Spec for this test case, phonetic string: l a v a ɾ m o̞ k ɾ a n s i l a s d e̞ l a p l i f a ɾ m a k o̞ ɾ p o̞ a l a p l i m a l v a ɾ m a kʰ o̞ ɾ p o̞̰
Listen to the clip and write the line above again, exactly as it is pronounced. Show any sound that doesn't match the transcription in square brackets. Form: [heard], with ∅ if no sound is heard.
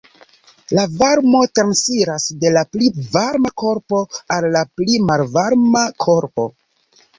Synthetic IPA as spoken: l a v a ɾ m o̞ [t] ɾ a n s i [ɾ] a s d e̞ l a p l i [v] a ɾ m a k o̞ ɾ p o̞ a [lː] a p l i m a l v a ɾ m a kʰ o̞ ɾ p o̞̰